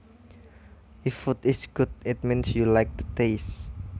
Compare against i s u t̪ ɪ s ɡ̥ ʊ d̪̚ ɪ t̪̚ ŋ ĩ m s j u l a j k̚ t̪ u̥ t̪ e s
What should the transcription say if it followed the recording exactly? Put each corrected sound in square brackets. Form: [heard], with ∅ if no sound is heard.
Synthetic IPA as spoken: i [f] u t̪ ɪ s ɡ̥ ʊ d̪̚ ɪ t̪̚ [m] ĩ [n] s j u l a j k̚ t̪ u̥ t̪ e s

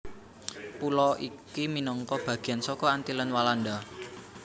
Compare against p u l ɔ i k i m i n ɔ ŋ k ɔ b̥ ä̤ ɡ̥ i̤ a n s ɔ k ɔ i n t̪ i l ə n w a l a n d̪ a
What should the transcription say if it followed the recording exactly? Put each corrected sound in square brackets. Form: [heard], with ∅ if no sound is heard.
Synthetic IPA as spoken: p u l ɔ i k i m i n ɔ ŋ k ɔ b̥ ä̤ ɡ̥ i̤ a n s ɔ k ɔ [a] n t̪ i l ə n w a l a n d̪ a

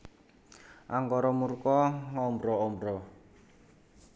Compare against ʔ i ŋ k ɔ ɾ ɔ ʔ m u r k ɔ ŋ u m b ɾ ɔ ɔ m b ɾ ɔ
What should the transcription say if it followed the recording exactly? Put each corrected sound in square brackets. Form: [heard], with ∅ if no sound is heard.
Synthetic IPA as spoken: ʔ [a] ŋ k ɔ ɾ ɔ [∅] m u r k ɔ ŋ [ɔ] m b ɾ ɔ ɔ m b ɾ ɔ

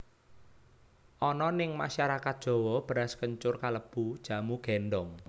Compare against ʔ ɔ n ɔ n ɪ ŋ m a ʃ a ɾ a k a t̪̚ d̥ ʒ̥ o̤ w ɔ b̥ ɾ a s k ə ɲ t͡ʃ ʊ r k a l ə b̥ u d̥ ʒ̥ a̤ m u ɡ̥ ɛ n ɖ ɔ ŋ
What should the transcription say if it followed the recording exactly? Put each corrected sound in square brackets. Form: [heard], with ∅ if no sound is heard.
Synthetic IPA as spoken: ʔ ɔ n ɔ n ɪ ŋ m a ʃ a ɾ a k a t̪̚ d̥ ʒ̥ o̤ w ɔ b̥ ɾ a s k ə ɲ t͡ʃ ʊ r k a l ə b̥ u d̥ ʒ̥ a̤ m u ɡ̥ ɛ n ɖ ɔ ŋ

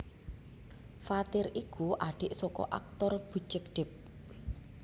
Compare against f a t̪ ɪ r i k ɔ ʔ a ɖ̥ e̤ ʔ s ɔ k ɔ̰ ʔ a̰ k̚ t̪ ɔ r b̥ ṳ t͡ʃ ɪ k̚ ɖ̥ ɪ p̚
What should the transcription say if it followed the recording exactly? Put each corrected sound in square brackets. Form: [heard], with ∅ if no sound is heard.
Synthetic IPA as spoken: f a t̪ ɪ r i k [u] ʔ a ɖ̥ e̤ ʔ s ɔ k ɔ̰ ʔ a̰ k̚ t̪ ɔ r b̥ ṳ t͡ʃ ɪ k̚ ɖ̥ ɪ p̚

